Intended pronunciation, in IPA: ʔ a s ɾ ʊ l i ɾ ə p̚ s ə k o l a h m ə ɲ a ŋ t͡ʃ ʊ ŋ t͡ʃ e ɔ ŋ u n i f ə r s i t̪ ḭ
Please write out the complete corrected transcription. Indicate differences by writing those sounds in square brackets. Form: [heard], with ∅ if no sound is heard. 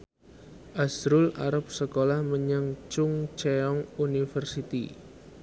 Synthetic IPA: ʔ a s ɾ ʊ l [a] ɾ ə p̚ s ə k o l a h m ə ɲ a ŋ t͡ʃ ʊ ŋ t͡ʃ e ɔ ŋ u n i f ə r s i t̪ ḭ